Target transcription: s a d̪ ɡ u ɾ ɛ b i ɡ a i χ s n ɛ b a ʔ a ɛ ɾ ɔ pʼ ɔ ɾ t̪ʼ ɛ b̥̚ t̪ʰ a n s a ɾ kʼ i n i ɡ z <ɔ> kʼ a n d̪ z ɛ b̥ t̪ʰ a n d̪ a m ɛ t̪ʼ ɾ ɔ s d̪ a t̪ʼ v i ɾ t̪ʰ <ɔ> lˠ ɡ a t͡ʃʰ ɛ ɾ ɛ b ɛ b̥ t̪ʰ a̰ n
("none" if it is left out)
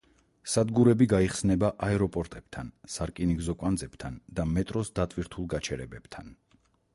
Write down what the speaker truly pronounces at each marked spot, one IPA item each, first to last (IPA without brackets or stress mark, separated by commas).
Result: ɔ, u